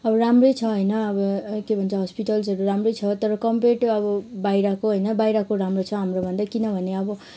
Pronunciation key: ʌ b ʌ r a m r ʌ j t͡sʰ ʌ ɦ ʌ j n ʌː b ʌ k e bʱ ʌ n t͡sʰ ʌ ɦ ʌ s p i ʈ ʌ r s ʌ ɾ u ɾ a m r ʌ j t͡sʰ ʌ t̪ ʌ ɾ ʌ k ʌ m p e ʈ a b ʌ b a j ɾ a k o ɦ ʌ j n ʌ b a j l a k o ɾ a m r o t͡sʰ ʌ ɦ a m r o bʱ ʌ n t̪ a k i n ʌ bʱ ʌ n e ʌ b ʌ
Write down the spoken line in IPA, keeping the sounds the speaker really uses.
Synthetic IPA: ʌ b ʌ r a m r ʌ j t͡sʰ ʌ ɦ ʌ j n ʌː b ʌ k e bʱ ʌ n t͡sʰ ʌ ɦ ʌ s p i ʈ ʌ l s ʌ ɾ u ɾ a m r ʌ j t͡sʰ ʌ t̪ ʌ ɾ ʌ k ʌ m p e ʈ ʌ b ʌ b a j ɾ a k o ɦ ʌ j n ʌ b a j ɾ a k o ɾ a m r o t͡sʰ ʌ ɦ a m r o bʱ ʌ n d̪ a k i n ʌ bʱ ʌ n e ʌ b ʌ